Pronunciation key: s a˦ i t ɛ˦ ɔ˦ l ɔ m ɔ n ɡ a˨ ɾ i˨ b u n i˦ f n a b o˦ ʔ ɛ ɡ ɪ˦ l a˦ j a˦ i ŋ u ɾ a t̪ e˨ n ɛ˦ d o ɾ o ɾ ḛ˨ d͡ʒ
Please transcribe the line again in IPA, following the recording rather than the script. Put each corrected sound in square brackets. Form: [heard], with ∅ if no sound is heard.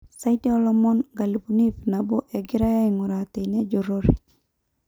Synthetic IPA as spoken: s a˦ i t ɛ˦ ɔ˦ l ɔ m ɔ n ɡ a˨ [l] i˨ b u n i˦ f n a b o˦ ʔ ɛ ɡ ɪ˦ [ɾ] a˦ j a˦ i ŋ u ɾ a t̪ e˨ n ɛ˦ [d͡ʒ] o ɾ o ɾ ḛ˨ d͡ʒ